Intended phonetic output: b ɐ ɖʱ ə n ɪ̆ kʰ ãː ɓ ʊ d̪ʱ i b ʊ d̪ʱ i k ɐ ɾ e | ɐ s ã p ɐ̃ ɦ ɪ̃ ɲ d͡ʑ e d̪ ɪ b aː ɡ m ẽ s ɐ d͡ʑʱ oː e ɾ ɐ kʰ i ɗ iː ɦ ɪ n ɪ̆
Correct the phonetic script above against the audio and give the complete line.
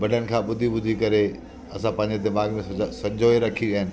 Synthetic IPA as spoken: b ɐ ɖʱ ə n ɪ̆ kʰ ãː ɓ ʊ d̪ʱ i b ʊ d̪ʱ i k ɐ ɾ e | ɐ s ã p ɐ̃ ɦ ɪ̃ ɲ d͡ʑ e d̪ ɪ m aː ɡ m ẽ s ɐ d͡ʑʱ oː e ɾ ɐ kʰ i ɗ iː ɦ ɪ n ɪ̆